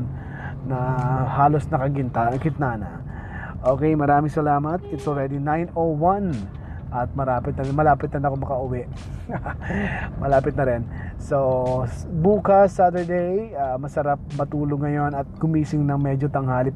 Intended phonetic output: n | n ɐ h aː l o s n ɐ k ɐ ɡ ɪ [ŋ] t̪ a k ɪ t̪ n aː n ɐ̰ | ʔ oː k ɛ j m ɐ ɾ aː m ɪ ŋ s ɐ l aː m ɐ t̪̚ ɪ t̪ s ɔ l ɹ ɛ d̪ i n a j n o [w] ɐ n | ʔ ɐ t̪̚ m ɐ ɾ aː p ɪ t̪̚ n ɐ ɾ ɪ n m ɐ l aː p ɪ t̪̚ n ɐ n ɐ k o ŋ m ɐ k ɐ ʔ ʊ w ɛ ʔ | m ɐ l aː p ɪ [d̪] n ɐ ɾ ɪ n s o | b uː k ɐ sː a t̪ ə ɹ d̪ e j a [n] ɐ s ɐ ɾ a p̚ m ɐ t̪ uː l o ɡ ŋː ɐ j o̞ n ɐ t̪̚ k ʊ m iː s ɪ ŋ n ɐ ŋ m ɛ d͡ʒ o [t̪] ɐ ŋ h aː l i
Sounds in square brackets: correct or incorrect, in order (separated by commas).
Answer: incorrect, correct, incorrect, incorrect, correct